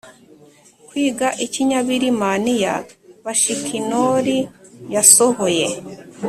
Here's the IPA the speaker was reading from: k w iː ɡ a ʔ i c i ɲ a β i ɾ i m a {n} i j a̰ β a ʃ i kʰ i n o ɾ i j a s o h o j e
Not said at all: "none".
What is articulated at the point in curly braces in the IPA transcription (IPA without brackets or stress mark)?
n